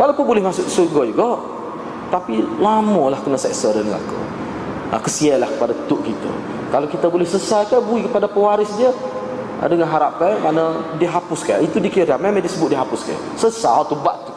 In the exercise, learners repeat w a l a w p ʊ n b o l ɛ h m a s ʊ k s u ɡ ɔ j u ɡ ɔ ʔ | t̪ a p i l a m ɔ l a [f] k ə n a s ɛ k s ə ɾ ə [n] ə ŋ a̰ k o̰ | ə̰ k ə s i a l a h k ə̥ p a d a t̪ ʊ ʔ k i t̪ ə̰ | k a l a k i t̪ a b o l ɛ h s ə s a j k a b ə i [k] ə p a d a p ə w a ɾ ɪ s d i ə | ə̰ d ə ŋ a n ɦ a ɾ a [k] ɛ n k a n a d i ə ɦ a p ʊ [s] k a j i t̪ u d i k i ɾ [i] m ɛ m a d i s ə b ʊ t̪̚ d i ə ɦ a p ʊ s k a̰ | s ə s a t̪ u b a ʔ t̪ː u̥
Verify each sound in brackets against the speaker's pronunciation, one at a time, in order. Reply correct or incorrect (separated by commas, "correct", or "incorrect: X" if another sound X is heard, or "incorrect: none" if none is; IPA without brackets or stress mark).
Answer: incorrect: h, correct, correct, incorrect: p, correct, incorrect: a